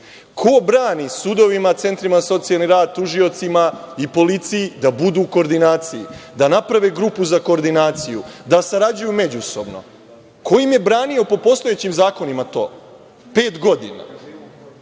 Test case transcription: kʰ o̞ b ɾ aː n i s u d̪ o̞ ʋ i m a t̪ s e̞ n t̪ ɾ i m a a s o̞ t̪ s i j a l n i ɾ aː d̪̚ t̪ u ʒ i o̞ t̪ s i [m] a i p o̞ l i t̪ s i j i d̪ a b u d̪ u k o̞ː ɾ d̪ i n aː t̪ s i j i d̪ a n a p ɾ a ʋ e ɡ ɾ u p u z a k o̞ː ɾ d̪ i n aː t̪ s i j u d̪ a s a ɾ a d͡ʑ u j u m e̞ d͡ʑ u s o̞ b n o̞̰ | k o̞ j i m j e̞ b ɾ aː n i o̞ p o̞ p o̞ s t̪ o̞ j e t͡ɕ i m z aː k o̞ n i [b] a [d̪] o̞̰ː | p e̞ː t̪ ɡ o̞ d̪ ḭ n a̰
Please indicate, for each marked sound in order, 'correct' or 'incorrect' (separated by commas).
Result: correct, incorrect, incorrect